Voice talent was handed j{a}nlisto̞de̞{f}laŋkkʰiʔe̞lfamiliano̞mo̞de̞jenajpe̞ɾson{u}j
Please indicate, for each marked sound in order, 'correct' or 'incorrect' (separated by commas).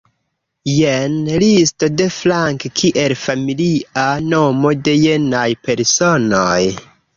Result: incorrect, correct, incorrect